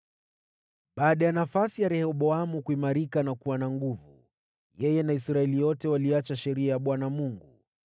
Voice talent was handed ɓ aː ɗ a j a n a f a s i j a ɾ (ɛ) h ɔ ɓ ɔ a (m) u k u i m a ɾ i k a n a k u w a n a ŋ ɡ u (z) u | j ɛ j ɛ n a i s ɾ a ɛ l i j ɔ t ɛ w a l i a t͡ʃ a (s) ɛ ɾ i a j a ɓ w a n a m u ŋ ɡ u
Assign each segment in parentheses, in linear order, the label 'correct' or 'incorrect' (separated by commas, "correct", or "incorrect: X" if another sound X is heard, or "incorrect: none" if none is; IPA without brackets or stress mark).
correct, correct, incorrect: v, incorrect: ʃ